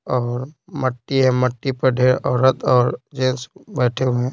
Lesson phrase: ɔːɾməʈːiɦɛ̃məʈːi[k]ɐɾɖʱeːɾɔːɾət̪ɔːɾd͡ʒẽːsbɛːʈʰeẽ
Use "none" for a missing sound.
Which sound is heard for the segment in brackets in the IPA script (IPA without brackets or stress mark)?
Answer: p